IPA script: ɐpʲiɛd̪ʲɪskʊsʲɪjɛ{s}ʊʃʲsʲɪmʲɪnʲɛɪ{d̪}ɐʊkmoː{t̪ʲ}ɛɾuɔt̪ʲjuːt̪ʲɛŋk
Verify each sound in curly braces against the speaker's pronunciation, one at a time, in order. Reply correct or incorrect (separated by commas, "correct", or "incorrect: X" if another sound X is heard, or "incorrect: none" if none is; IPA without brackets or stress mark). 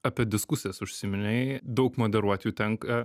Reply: correct, correct, incorrect: d̪ʲ